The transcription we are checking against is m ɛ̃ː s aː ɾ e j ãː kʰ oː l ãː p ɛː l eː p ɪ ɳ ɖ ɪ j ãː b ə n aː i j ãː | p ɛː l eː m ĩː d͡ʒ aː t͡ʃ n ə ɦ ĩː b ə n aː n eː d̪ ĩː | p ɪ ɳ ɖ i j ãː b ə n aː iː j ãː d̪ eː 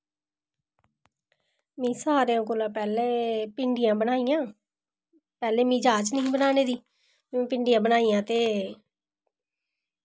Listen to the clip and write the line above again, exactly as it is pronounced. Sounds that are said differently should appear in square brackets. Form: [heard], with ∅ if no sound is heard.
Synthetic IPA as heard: m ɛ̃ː s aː ɾ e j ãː [k] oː l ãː p ɛː l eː p ɪ ɳ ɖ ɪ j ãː b ə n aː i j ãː | p ɛː l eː m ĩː d͡ʒ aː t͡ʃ n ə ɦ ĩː b ə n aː n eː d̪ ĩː | p ɪ ɳ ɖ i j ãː b ə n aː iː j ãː [t̪] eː